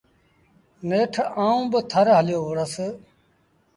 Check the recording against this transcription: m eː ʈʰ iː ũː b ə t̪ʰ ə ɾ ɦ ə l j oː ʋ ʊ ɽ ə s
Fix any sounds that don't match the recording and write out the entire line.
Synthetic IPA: n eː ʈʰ aː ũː b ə t̪ʰ ə ɾ ɦ ə l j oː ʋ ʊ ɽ ə s